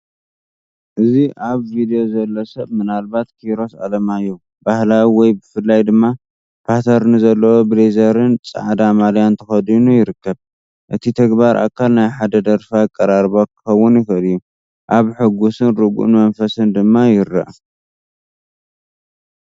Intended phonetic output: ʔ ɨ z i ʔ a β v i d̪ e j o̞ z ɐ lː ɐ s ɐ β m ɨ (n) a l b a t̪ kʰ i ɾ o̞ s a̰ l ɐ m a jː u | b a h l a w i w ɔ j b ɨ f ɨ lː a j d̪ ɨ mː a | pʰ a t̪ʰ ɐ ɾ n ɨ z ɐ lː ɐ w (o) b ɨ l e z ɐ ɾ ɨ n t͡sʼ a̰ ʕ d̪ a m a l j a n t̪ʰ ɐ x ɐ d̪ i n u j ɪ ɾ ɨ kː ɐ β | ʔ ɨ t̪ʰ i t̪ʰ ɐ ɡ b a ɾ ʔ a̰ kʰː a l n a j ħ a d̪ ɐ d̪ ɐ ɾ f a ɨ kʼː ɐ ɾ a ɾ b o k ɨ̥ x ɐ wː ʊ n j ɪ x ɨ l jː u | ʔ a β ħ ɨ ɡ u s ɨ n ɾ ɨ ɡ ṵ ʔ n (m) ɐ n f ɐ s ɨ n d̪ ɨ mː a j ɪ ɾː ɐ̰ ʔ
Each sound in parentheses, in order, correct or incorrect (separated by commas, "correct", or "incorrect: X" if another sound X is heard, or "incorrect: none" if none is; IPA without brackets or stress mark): correct, correct, correct